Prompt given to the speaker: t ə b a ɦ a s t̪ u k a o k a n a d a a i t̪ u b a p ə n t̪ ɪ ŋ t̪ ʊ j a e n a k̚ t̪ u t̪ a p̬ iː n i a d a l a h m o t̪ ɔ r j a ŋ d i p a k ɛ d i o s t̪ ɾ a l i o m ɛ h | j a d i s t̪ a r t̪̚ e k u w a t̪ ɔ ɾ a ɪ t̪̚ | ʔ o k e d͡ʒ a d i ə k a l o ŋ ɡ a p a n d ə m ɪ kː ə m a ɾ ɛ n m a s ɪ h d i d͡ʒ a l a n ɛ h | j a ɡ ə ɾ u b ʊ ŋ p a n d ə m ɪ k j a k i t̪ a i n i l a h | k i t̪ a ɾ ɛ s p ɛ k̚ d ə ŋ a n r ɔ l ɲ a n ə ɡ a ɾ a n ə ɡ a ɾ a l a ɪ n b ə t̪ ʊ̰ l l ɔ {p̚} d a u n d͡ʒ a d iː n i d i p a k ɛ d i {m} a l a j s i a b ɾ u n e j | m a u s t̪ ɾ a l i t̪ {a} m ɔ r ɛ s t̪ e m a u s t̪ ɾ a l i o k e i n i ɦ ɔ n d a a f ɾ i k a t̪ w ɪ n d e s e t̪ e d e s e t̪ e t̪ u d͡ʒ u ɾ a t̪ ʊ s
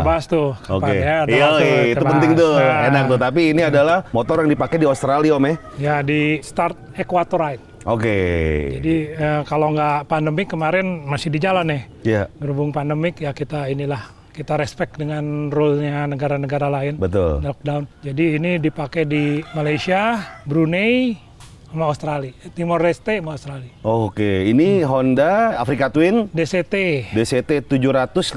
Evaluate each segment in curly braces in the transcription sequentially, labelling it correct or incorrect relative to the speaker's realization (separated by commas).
incorrect, correct, incorrect